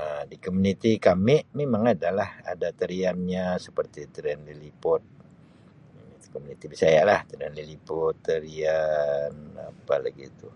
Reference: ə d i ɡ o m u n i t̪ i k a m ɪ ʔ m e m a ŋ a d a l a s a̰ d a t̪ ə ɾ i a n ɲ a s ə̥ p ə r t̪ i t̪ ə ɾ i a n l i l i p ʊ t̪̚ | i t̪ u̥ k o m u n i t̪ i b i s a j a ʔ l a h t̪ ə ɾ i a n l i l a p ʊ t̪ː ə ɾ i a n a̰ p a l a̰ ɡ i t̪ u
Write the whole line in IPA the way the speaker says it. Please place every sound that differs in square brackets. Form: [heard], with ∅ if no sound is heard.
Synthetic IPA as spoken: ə d i [k] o m u n i t̪ i k a m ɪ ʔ m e m a ŋ a d a l a [h] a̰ d a t̪ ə ɾ i a n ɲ a s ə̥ p ə r t̪ i t̪ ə ɾ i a n l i l i p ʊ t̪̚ | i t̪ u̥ k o m u n i t̪ i b i s a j a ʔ l a h t̪ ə ɾ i a n l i l [i] p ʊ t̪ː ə ɾ i a n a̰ p a l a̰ ɡ i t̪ u

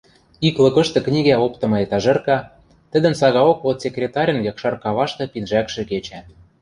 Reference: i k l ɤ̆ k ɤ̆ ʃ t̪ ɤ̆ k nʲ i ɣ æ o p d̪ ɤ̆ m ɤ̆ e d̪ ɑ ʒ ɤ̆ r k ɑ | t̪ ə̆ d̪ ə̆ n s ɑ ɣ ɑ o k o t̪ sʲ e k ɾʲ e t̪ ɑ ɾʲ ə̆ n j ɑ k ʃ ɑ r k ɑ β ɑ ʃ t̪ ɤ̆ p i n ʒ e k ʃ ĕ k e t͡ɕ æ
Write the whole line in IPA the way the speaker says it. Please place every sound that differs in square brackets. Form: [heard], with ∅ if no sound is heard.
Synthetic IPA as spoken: i k l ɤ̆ k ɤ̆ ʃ t̪ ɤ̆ k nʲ i ɣ æ o p [t̪] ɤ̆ m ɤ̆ e [t̪] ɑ ʒ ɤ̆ r k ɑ | t̪ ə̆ d̪ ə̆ n s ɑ ɣ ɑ o k o t̪ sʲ e k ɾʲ e t̪ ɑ ɾʲ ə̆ n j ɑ k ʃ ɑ r k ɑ β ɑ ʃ t̪ ɤ̆ p i n ʒ [æ] k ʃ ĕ k e t͡ɕ æ

